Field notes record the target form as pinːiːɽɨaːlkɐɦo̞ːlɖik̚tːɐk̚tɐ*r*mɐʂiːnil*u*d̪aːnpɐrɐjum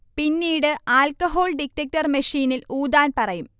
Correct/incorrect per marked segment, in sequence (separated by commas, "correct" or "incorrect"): correct, incorrect